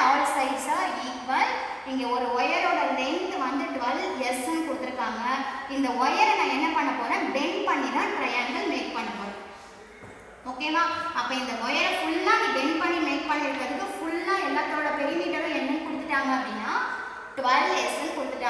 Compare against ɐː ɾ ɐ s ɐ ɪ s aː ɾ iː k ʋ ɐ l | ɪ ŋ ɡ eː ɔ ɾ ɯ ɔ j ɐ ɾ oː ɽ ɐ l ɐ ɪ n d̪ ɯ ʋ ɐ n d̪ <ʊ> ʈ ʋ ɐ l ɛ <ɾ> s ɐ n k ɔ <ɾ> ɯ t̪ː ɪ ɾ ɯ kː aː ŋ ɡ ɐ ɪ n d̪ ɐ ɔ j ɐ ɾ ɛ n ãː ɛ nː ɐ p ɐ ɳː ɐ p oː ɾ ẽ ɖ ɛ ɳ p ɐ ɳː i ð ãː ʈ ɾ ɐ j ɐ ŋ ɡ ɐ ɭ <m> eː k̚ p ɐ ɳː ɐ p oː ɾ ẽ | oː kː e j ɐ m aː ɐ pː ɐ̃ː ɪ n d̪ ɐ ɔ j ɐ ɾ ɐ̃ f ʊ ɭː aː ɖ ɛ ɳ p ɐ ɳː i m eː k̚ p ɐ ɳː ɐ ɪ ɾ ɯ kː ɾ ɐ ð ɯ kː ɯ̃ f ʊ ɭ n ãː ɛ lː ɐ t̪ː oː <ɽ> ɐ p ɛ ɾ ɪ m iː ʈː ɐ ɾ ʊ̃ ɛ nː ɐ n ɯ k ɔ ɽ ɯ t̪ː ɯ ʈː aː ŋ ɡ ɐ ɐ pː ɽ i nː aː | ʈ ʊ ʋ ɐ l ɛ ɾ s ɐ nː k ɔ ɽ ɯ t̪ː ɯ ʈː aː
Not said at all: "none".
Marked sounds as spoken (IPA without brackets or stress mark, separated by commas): ɯ, ɾ, ɽ, m, ɽ